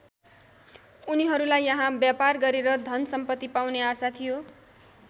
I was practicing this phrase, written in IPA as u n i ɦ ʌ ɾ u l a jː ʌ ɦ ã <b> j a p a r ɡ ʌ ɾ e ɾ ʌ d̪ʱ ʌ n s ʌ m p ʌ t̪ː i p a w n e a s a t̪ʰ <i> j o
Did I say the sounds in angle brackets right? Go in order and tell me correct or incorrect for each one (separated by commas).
correct, correct